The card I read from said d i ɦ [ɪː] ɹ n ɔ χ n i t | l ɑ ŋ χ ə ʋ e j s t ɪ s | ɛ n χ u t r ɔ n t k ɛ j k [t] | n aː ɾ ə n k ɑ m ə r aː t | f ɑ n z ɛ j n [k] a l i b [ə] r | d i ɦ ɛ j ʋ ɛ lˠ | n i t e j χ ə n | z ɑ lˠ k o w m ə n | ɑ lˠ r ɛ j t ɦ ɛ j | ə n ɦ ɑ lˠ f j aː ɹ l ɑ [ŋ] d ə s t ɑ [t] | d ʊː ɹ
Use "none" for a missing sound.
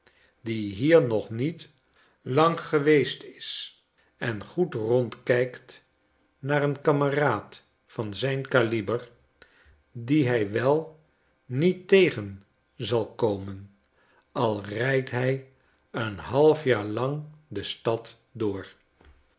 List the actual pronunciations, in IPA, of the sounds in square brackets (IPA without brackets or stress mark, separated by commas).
iː, t, k, ə, ŋ, t